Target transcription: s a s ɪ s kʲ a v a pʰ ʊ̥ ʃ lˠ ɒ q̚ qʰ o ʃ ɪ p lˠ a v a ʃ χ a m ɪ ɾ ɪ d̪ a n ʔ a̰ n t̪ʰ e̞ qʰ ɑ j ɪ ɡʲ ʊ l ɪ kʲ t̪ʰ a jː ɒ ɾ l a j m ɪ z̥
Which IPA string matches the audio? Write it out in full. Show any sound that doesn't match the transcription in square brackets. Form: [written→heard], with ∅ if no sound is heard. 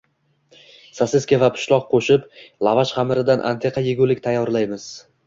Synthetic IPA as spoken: s a s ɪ s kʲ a v a pʰ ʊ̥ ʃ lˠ ɒ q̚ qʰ o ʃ ɪ p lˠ a v a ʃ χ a m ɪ ɾ ɪ d̪ a n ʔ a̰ n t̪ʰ e̞ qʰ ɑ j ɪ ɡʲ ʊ l ɪ kʲ t̪ʰ a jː ɒ ɾ l a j m ɪ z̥